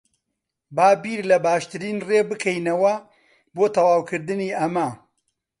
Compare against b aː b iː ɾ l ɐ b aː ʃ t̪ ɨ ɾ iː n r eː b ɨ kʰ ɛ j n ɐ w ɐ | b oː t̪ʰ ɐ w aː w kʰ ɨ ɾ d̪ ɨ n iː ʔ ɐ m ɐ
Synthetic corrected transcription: b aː b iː ɾ l ɐ b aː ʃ t̪ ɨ ɾ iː n r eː b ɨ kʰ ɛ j n ɐ w ɐ | b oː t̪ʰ ɐ w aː w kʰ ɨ ɾ d̪ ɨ n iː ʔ ɐ m ɐ